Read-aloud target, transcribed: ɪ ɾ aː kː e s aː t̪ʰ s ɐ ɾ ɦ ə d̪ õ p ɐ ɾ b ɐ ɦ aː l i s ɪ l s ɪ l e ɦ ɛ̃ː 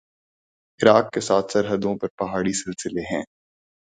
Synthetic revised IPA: ɪ ɾ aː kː e s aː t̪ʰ s ɐ ɾ ɦ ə d̪ õ p ɐ ɾ p ɐ ɦ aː ɽ i s ɪ l s ɪ l e ɦ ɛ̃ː